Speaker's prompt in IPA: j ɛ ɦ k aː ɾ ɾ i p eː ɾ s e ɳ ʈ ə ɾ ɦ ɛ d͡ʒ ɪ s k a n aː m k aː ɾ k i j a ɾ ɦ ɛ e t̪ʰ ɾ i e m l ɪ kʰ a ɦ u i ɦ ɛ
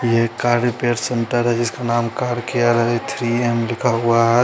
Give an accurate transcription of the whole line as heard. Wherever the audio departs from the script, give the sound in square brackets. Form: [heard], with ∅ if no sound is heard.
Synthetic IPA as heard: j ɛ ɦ k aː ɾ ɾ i p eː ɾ s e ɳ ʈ ə ɾ ɦ ɛ d͡ʒ ɪ s k a n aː m k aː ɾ k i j a ɾ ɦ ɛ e t̪ʰ ɾ i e m l ɪ kʰ a ɦ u [a] ɦ ɛ